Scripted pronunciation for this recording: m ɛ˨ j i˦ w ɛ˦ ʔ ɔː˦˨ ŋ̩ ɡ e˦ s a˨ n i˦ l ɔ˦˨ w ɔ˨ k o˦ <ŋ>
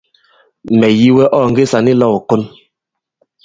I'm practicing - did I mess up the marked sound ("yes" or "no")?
yes